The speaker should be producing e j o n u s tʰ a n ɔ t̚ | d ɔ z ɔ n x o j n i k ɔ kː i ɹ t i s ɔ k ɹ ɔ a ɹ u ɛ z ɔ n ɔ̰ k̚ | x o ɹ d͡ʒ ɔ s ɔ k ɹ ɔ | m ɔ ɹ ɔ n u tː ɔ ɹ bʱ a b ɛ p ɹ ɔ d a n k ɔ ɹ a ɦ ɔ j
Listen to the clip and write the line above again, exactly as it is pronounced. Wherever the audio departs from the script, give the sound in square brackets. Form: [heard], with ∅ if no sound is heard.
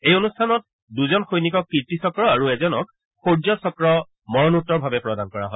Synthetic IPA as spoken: e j o n u s tʰ a n ɔ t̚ | d [u] z ɔ n x o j n i k ɔ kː i ɹ t i s ɔ k ɹ ɔ a ɹ u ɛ z ɔ n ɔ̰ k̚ | x o ɹ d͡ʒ ɔ s ɔ k ɹ ɔ | m ɔ ɹ ɔ n u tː ɔ ɹ bʱ a b ɛ p ɹ ɔ d a n k ɔ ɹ a ɦ ɔ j